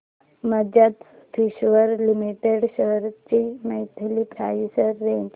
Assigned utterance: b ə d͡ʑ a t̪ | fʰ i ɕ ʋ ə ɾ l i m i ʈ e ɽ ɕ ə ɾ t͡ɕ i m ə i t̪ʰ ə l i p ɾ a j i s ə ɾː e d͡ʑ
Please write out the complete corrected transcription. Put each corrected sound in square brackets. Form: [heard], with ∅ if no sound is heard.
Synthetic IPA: [m] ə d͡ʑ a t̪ | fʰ i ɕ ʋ ə ɾ l i m i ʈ e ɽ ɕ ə ɾ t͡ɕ i m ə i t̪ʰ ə l i p ɾ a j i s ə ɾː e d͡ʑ